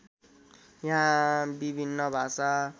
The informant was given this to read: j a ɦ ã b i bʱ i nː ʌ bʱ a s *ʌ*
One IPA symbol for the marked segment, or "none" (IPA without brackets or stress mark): a